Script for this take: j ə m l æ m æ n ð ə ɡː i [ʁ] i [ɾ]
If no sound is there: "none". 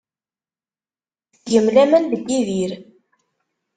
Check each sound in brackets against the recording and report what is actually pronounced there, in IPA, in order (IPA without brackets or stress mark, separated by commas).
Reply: ð, ɾ